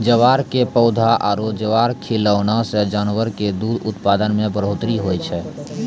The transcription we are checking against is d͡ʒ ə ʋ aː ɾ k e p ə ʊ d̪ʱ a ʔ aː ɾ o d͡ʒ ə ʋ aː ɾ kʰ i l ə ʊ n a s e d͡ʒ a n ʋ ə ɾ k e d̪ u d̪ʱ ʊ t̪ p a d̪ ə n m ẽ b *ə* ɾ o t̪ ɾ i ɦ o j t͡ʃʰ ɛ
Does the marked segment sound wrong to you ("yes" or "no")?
no